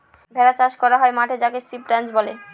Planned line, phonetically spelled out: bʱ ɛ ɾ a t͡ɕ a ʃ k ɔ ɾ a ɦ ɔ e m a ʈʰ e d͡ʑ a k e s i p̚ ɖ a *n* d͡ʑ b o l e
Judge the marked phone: correct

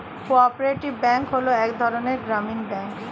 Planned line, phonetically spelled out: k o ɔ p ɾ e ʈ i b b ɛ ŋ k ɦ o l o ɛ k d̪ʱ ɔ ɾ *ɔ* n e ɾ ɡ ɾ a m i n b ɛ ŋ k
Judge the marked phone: incorrect: o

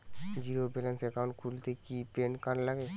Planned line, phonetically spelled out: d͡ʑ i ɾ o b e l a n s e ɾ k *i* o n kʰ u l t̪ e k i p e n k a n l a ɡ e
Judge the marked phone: incorrect: a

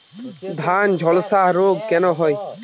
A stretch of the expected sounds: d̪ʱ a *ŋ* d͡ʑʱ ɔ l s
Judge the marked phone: incorrect: n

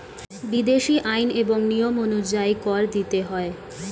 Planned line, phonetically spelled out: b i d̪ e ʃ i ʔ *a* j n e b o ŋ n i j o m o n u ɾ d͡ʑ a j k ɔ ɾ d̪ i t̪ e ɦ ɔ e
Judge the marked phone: correct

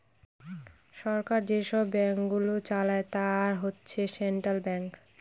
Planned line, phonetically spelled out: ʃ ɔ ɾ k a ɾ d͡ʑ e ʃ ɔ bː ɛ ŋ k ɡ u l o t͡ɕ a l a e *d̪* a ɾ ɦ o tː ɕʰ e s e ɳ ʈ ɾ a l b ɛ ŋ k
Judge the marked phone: incorrect: t̪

